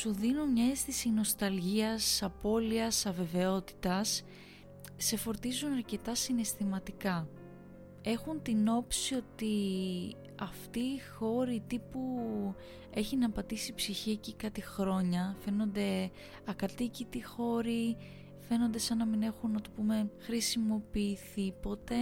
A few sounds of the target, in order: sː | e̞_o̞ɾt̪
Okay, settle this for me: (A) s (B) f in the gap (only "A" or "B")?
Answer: B